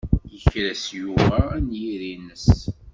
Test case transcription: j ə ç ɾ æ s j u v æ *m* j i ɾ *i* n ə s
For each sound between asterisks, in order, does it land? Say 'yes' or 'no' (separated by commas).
no, yes